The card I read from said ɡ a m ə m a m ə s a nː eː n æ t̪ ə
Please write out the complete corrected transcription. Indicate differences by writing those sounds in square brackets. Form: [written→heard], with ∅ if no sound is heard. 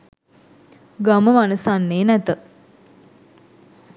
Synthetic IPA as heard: ɡ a m ə m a [m→n] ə s a nː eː n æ t̪ ə